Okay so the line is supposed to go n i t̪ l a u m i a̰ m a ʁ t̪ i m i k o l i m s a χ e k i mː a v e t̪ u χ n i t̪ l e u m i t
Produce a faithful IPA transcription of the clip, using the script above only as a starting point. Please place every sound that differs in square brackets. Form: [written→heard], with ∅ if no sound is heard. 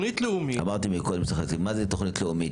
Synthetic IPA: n i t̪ l [a→e] u m i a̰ m a ʁ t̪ i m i k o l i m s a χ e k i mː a [v→z] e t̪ [u→o] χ n i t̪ l e u m i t